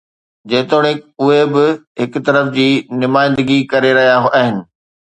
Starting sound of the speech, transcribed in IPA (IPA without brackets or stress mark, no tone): d͡ʑ